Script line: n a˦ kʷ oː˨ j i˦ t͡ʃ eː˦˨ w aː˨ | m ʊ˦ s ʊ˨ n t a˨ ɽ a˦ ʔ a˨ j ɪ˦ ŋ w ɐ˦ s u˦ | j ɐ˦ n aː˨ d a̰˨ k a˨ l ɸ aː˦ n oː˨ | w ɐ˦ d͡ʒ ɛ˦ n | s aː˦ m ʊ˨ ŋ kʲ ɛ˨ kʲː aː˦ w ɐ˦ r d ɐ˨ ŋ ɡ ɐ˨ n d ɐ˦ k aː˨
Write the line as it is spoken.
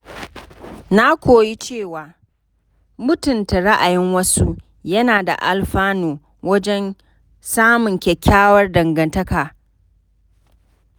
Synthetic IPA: n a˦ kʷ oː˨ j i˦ t͡ʃ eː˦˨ w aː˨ | m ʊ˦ t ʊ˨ n t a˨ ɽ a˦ ʔ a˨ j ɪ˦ ŋ w ɐ˦ s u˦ | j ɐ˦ n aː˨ d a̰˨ ʔ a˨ l ɸ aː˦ n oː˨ | w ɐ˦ d͡ʒ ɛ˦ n | s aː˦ m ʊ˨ ŋ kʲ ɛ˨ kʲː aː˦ w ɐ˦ r d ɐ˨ ŋ ɡ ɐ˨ n t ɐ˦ k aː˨